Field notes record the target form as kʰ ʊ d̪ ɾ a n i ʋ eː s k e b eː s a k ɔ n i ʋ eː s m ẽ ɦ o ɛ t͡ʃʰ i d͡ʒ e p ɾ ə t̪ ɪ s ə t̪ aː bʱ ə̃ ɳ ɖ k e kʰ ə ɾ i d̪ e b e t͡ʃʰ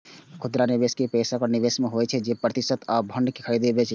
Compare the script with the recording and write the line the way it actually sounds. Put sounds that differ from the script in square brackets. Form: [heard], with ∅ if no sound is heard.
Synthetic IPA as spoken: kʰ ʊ d̪ ɾ a n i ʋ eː s k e [p] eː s a k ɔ n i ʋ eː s m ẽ ɦ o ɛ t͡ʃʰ [ɛ] d͡ʒ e p ɾ ə t̪ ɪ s ə t̪ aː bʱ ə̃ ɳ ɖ k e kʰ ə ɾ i d̪ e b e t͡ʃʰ